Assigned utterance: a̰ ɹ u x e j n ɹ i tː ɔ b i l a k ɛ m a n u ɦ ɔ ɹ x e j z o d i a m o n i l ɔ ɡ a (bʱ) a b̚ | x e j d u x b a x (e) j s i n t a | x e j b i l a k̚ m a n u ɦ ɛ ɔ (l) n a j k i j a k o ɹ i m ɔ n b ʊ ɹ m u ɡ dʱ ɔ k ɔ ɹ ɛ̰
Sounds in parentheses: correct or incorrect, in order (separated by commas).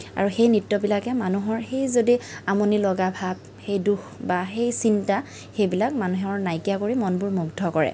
correct, correct, incorrect